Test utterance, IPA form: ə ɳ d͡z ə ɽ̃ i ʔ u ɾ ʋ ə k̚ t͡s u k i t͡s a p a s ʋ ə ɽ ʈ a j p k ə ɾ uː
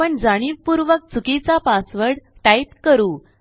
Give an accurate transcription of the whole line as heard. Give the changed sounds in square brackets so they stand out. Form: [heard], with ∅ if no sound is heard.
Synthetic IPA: ə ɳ d͡z [a] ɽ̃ i [p] u ɾ ʋ ə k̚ t͡s u k i t͡s a p a s ʋ ə ɽ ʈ a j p k ə ɾ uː